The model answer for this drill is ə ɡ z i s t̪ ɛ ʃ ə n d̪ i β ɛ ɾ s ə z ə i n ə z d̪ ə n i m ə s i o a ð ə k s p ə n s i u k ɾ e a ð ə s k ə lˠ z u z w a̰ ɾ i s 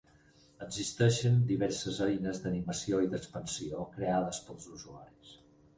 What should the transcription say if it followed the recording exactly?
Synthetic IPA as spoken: ə ɡ z i s t̪ ɛ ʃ ə n d̪ i β ɛ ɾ s ə z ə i n ə z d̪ ə n i m ə s i o i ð ə k s p ə n s i o k ɾ e a ð ə s p ə lˠ z u z u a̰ ɾ i s